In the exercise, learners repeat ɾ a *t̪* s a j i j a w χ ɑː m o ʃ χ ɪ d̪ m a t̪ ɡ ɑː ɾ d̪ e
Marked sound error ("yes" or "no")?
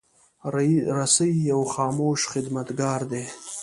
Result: yes